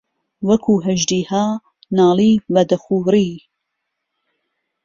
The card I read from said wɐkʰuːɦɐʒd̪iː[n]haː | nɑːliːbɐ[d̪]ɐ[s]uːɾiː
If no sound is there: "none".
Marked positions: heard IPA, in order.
none, d̪, x

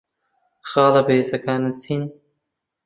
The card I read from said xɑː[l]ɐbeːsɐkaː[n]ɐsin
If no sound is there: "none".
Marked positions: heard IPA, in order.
l, n

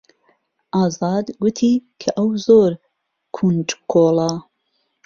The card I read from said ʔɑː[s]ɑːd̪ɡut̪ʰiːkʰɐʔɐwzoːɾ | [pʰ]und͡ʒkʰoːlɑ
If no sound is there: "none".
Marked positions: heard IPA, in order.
z, kʰ

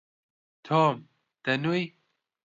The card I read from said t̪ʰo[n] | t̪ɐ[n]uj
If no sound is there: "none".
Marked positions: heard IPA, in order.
m, n

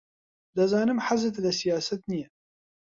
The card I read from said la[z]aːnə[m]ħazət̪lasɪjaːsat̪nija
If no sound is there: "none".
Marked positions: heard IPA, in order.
z, m

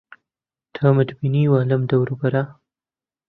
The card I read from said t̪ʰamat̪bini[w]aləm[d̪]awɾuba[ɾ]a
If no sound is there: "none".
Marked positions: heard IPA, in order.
w, d̪, ɾ

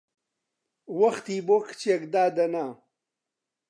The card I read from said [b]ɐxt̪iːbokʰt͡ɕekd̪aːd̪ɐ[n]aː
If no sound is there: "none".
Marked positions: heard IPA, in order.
w, n

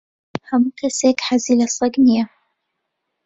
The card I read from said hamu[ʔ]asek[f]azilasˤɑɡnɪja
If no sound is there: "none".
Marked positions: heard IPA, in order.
k, ħ

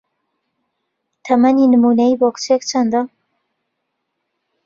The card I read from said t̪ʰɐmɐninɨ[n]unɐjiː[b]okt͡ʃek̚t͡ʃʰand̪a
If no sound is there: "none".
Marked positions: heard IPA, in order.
m, b

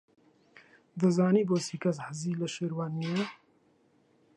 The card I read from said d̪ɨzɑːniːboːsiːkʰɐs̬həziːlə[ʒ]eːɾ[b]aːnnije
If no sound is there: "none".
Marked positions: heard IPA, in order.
ʃ, w

